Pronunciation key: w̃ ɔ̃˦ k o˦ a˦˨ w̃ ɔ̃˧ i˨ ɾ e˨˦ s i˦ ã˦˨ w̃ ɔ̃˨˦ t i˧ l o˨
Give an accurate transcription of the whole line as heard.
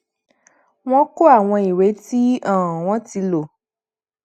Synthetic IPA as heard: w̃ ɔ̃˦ k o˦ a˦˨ w̃ ɔ̃˧ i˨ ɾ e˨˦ t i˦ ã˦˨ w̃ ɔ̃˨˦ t i˧ l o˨